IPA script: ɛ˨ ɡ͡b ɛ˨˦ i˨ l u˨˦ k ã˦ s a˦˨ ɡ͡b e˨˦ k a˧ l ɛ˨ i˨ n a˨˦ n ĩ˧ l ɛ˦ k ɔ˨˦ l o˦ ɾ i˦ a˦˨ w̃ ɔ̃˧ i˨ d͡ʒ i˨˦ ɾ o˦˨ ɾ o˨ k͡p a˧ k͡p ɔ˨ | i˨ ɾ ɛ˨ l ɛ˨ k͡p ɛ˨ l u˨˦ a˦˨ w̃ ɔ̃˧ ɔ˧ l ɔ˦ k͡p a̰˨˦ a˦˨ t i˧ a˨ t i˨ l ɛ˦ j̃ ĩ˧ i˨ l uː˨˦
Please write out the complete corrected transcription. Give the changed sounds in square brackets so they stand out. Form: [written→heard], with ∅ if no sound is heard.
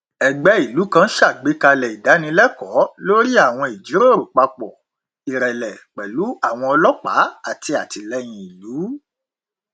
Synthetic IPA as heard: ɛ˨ ɡ͡b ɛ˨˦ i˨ l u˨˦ k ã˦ [s→ʃ] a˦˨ ɡ͡b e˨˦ k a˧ l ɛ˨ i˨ [n→d] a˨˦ n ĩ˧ l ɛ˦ k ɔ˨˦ l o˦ ɾ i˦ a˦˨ w̃ ɔ̃˧ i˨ d͡ʒ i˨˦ ɾ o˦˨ ɾ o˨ k͡p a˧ k͡p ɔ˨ | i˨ ɾ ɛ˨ l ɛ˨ k͡p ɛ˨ l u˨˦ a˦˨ w̃ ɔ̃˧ ɔ˧ l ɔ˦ k͡p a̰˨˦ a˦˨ t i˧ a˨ t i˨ l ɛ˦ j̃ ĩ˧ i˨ l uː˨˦

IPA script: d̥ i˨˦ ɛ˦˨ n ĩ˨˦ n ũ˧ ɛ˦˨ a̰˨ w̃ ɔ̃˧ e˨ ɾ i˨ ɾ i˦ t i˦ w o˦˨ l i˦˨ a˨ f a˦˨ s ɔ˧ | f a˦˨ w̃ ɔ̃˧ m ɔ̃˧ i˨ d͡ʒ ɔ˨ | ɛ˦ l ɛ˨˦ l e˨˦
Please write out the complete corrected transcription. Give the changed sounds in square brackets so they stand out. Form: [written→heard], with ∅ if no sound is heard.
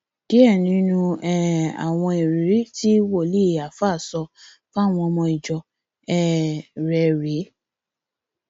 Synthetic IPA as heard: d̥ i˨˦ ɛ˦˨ n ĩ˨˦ n ũ˧ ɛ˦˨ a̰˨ w̃ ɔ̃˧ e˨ ɾ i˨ ɾ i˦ t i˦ w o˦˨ l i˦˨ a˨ f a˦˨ s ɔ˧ | f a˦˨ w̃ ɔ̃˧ m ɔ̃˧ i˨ d͡ʒ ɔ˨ | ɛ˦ [l→ɾ] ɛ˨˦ [l→ɾ] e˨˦

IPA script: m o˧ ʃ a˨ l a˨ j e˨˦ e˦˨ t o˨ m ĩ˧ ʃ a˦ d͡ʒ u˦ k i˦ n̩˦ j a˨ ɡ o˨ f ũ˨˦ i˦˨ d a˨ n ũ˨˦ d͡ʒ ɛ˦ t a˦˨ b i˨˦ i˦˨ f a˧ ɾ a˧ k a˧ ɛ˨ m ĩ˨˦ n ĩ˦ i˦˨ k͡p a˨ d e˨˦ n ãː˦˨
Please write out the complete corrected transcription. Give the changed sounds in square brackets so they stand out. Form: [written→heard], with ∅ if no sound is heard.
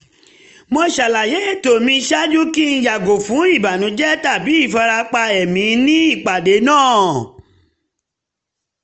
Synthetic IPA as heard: m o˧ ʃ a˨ l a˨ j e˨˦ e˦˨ t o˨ m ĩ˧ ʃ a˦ d͡ʒ u˦ k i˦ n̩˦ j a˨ ɡ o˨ f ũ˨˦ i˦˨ [d→b] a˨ n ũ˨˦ d͡ʒ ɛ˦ t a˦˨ b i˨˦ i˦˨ f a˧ ɾ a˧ [k→k͡p] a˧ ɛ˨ m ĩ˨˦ n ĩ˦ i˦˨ k͡p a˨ d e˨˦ n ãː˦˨

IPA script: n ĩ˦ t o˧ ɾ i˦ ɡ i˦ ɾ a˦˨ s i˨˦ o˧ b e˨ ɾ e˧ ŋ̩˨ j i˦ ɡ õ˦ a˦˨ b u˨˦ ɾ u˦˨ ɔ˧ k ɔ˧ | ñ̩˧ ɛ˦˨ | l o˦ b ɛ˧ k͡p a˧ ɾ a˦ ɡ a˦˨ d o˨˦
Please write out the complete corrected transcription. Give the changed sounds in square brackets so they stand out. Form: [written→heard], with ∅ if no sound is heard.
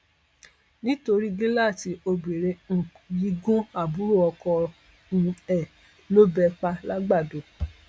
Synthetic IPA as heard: n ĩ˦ t o˧ ɾ i˦ ɡ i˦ [ɾ→l] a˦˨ [s→t] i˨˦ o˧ b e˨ ɾ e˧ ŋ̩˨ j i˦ ɡ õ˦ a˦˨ b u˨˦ ɾ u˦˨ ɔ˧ k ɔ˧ | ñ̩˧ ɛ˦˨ | l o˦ b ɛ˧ k͡p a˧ [ɾ→l] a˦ [ɡ→ɡ͡b] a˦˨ d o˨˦

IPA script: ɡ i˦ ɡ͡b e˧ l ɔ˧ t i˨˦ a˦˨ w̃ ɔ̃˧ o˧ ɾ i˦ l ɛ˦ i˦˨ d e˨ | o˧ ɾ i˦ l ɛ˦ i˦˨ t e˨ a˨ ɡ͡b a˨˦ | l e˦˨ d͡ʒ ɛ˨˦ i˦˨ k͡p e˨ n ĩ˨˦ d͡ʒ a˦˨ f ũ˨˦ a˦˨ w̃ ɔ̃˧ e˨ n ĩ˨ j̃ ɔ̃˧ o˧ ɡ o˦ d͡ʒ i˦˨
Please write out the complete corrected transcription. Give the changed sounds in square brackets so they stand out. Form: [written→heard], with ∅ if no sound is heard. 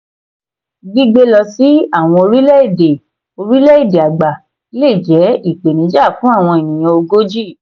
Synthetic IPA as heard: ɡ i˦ ɡ͡b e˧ l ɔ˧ [t→s] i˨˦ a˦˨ w̃ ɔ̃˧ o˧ ɾ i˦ l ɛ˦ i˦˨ d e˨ | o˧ ɾ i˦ l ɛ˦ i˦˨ [t→d] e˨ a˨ ɡ͡b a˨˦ | l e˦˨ d͡ʒ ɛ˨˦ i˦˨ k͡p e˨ n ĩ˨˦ d͡ʒ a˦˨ f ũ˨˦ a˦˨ w̃ ɔ̃˧ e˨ n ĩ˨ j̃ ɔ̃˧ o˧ ɡ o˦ d͡ʒ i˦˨

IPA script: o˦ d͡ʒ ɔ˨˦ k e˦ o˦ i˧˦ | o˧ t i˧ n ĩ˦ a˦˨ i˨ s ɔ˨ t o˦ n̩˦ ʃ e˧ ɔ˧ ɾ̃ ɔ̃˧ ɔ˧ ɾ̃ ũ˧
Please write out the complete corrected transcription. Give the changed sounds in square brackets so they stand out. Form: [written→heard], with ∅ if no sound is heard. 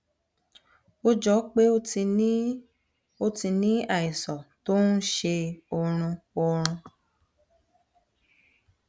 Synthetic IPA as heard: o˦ d͡ʒ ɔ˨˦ [k→k͡p] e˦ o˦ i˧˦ | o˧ t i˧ n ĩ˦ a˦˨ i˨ s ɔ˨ t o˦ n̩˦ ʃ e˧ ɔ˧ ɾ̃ [ɔ̃˧→ũ˧] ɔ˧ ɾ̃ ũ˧

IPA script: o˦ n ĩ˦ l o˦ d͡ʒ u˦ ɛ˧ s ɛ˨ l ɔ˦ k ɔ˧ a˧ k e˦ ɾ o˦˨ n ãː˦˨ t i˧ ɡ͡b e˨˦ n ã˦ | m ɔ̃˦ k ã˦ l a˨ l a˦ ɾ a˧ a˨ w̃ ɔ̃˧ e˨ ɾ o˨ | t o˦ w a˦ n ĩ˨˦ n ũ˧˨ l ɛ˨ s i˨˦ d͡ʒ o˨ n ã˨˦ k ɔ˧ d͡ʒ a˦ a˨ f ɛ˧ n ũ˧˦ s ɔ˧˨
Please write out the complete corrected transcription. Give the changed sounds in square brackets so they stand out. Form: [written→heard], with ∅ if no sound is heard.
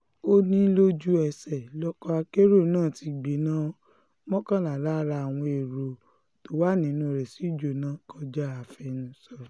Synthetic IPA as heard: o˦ n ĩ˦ l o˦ d͡ʒ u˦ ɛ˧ s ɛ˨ l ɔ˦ k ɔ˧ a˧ k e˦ ɾ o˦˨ n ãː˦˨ t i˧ ɡ͡b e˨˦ n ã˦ | m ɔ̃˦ k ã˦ l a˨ l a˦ ɾ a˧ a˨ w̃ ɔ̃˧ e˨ ɾ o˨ | t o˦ w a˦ n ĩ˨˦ n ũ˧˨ [l→ɾ] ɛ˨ s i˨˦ d͡ʒ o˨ n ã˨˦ k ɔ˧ d͡ʒ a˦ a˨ f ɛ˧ n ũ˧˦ s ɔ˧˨

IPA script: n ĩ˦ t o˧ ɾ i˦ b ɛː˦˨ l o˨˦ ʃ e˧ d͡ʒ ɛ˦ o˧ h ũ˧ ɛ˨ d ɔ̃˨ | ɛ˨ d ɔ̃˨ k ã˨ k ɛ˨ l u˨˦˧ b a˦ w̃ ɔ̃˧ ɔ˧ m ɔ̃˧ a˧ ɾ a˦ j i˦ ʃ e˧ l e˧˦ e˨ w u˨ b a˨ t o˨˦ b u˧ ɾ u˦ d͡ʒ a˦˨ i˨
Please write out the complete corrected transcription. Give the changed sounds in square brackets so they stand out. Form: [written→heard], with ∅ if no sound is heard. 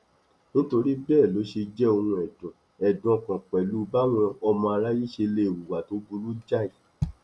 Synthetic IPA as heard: n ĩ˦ t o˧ ɾ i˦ b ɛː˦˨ l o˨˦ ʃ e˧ d͡ʒ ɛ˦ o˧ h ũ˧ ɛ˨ d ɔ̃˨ | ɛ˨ d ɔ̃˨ k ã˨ [k→k͡p] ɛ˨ l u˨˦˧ b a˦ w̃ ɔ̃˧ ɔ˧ m ɔ̃˧ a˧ ɾ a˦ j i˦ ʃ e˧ l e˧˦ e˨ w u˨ [b→w] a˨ t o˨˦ b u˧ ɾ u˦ d͡ʒ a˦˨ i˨

